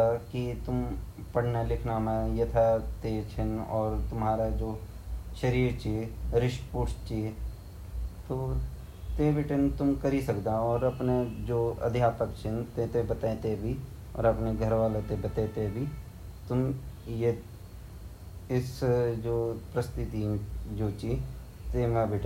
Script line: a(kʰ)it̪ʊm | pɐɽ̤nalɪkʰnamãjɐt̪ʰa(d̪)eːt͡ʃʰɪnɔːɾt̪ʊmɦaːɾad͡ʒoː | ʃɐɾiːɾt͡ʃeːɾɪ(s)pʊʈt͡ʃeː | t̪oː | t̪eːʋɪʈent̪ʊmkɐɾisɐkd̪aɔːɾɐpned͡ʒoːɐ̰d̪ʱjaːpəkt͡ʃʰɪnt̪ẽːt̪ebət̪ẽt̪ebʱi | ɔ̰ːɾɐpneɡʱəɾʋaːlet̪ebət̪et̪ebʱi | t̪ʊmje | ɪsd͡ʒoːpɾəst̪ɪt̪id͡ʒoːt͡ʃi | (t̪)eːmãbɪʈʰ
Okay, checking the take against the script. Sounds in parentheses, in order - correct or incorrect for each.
incorrect, incorrect, incorrect, correct

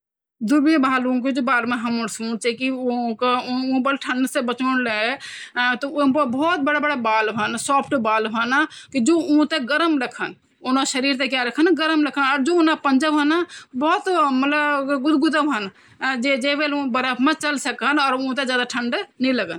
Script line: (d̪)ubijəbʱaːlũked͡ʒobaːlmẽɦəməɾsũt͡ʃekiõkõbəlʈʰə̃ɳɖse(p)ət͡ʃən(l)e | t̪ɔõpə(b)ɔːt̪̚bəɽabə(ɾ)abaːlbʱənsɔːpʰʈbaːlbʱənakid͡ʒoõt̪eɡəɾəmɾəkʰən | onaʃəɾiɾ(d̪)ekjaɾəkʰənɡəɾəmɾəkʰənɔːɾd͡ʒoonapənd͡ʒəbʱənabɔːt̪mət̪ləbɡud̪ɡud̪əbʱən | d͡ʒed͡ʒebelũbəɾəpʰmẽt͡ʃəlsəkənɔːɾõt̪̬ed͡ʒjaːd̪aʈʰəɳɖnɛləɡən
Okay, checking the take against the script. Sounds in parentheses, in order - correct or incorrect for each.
correct, incorrect, correct, correct, incorrect, incorrect

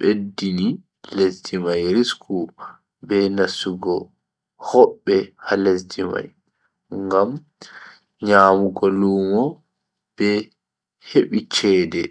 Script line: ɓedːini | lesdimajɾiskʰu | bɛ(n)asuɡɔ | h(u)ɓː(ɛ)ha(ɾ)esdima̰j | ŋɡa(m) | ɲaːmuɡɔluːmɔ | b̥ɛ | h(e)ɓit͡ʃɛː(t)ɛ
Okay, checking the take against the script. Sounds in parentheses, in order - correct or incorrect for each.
correct, incorrect, correct, incorrect, correct, correct, incorrect

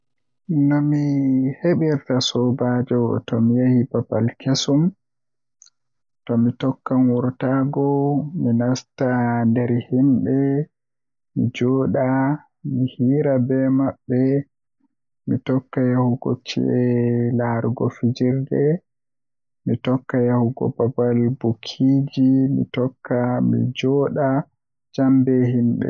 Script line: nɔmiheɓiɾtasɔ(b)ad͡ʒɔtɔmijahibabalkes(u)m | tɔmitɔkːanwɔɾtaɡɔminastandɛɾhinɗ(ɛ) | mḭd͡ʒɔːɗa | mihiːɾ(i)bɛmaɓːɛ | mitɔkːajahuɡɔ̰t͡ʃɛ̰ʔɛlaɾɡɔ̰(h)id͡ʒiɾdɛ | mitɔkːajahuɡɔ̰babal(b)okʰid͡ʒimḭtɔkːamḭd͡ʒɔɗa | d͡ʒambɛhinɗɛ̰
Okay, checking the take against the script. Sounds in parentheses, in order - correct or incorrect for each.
correct, correct, correct, incorrect, incorrect, correct

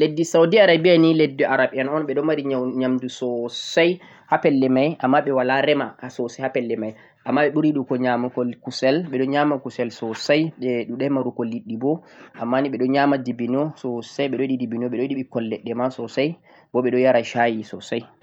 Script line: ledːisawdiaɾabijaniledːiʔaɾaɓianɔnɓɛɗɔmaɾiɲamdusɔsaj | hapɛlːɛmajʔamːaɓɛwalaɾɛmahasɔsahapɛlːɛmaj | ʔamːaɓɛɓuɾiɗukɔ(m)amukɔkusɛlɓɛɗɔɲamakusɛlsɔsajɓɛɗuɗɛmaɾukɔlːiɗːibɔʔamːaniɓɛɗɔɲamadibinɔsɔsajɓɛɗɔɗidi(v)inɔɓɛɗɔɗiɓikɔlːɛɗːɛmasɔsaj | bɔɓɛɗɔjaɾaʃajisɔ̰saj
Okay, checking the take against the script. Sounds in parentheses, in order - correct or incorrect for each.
incorrect, incorrect

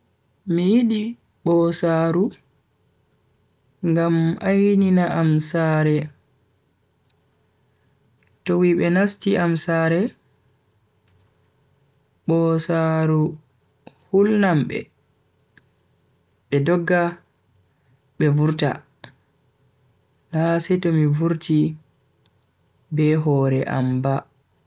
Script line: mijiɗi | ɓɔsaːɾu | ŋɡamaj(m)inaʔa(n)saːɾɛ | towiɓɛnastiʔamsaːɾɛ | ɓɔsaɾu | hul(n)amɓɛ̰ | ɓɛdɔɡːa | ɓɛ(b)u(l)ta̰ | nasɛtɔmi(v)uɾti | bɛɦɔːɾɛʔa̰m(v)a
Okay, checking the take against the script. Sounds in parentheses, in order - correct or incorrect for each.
incorrect, incorrect, correct, incorrect, incorrect, correct, incorrect

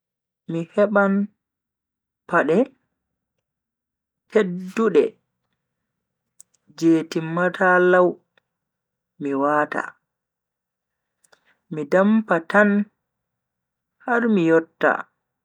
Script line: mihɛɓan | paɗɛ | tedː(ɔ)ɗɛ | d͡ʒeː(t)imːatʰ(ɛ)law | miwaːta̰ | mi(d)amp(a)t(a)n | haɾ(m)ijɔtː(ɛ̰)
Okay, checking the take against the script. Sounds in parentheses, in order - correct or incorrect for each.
incorrect, correct, incorrect, correct, correct, correct, correct, incorrect

